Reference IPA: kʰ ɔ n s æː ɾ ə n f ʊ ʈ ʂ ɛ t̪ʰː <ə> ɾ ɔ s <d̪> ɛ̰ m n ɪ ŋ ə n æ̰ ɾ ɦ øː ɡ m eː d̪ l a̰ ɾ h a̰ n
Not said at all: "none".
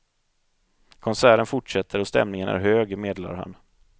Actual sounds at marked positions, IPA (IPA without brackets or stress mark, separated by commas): ə, t̪